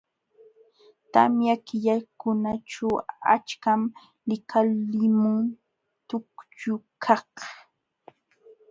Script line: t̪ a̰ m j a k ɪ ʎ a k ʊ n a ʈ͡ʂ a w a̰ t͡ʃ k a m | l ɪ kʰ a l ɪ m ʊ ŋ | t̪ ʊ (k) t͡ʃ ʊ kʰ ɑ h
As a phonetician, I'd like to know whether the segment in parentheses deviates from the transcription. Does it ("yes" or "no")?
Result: no